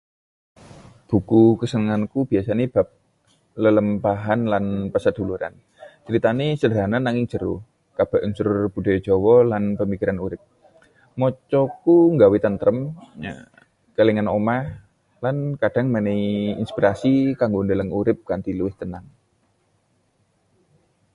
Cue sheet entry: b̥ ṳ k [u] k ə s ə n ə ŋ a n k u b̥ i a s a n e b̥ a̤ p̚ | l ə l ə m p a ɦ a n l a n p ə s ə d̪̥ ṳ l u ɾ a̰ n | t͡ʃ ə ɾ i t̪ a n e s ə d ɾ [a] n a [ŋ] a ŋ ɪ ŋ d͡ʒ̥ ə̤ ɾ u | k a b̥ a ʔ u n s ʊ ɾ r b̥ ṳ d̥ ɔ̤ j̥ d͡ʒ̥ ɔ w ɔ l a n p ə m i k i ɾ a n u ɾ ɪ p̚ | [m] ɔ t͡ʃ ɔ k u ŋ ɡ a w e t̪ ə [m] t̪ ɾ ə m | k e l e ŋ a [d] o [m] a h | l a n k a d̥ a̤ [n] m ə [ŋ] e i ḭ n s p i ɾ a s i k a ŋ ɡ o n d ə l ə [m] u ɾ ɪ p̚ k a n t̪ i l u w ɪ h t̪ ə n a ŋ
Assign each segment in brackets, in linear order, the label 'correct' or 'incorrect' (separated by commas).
correct, correct, incorrect, correct, incorrect, incorrect, correct, incorrect, incorrect, incorrect